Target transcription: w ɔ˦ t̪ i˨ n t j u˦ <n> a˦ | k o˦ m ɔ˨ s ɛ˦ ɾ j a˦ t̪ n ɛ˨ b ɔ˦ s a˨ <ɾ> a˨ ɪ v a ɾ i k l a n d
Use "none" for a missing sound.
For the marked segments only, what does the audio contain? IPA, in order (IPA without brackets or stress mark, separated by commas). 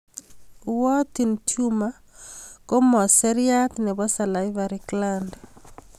m, l